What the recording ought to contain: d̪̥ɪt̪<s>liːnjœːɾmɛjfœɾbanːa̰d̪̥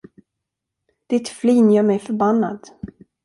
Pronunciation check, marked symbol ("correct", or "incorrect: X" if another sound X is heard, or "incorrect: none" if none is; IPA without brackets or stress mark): incorrect: f